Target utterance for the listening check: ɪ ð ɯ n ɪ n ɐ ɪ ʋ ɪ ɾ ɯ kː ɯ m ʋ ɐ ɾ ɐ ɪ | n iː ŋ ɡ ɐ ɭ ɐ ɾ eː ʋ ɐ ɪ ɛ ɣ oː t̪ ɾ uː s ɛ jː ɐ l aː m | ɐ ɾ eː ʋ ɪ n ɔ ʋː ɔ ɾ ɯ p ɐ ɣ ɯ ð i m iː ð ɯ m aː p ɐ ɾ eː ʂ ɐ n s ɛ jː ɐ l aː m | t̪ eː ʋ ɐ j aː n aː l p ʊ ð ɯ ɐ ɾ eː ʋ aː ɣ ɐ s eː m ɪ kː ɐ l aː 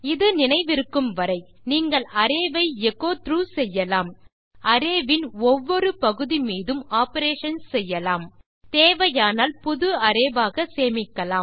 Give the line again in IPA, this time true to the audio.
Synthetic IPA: ɪ ð ɯ n ɪ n ɐ ɪ ʋ ɪ ɾ ɯ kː ɯ m ʋ ɐ ɾ ɐ ɪ | n iː ŋ ɡ ɐ ɭ ɐ ɾ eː ʋ ɐ ɪ ɛ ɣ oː t̪ ɾ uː s ɛ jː ɐ l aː m | ɐ ɾ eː ʋ ɪ n ɔ ʋː ɔ ɾ ɯ p ɐ ɣ ɯ ð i m iː ð ɯ m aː p ɐ ɾ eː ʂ ɐ n s ɛ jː ɐ l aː m | t̪ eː ʋ ɐ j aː n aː l p ʊ ð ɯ ɐ ɾ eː ʋ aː ɣ ɐ s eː m ɪ kː ɐ l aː